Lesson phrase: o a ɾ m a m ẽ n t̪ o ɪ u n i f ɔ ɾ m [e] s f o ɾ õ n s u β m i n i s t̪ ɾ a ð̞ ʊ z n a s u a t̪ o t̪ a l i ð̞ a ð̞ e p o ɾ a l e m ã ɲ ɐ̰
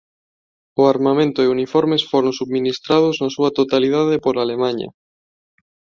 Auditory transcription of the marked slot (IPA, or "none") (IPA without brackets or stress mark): e